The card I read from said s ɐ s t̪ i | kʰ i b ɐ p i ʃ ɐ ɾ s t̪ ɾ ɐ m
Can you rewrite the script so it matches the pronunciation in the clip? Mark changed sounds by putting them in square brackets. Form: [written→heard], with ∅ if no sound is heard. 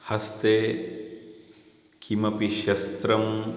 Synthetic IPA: [s→h] ɐ s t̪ [i→e] | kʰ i [b→m] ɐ p i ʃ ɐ [ɾ→∅] s t̪ ɾ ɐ m